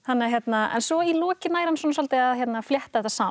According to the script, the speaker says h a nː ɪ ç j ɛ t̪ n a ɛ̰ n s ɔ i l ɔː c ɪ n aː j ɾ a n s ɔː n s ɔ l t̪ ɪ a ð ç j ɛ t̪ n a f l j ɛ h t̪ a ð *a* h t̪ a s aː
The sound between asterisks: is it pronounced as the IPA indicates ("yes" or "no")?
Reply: no